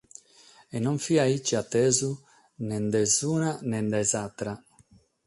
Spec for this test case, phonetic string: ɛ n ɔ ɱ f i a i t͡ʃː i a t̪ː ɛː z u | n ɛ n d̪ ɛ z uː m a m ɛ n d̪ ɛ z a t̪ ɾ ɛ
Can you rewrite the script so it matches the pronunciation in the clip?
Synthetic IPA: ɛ n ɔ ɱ f i a i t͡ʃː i a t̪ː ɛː z u | n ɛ n d̪ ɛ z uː n a n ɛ n d̪ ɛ z a t̪ ɾ a